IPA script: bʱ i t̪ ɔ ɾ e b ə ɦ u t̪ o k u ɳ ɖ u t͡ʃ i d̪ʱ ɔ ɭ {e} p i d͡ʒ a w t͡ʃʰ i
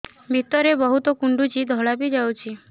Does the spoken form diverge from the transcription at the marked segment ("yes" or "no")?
yes